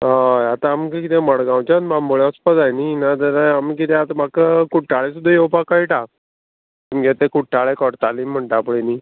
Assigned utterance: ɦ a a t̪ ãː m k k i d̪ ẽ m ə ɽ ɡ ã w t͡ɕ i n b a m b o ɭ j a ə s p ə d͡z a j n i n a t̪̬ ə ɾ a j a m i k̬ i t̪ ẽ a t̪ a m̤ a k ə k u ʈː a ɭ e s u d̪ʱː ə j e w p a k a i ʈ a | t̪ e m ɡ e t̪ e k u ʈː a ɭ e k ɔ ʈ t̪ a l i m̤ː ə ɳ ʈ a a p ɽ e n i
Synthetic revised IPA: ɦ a a t̪ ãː m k k i t̪ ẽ m ə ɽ ɡ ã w t͡ɕ a n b a m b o ɭ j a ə s p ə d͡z a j n i n a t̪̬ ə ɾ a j a m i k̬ i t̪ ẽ a t̪ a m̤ a k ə k u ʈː a ɭ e s u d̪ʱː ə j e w p a k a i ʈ a | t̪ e m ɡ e t̪ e k u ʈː a ɭ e k ɔ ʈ t̪ a l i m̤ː ə ɳ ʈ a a p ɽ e n i